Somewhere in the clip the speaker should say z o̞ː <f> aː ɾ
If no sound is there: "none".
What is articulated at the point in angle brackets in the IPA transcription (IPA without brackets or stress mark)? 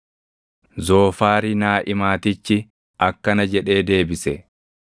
f